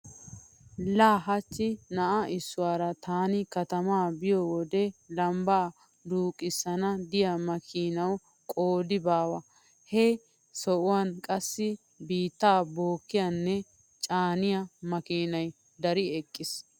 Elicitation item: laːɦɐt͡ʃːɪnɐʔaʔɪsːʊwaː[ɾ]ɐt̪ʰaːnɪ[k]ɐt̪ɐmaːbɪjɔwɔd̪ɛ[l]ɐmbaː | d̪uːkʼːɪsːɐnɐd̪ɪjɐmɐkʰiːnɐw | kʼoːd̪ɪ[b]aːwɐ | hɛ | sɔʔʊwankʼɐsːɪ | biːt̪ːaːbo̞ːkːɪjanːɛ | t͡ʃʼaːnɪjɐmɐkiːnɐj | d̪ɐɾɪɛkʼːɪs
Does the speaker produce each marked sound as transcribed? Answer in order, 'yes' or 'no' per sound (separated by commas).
yes, yes, yes, yes